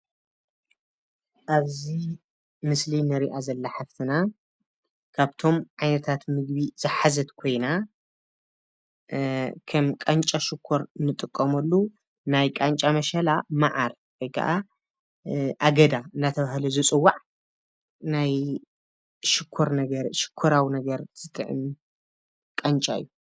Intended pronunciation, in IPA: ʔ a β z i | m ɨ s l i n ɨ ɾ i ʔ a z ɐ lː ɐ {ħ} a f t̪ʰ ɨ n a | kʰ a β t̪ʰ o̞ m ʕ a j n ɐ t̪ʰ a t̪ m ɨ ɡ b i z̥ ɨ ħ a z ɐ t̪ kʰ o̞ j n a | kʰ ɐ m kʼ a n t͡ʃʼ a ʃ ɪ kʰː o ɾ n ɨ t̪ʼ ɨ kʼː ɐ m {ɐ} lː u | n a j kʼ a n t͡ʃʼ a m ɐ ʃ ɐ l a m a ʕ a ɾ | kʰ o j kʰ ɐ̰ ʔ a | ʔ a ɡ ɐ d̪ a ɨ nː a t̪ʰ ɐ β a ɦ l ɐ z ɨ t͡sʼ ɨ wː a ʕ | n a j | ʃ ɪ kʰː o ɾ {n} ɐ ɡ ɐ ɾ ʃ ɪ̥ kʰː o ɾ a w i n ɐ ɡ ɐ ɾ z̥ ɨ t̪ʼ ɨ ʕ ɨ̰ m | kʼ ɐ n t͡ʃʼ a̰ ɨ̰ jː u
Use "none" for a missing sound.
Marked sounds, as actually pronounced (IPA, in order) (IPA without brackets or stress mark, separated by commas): ħ, ɐ, n